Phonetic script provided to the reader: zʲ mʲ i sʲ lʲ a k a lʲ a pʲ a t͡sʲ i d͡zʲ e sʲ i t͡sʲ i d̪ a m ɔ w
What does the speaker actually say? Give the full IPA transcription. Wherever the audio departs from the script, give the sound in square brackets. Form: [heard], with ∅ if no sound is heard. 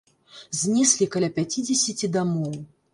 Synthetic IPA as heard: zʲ [nʲ] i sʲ lʲ [i] k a lʲ a pʲ a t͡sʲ i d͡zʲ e sʲ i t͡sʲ i d̪ a m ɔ w